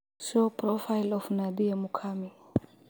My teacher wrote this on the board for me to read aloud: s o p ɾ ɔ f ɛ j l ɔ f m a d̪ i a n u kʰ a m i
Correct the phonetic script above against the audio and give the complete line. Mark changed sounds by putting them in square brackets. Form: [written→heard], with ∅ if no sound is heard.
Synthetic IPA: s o p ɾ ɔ f [ɛ→a] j l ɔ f [m→n] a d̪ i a [n→m] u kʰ a m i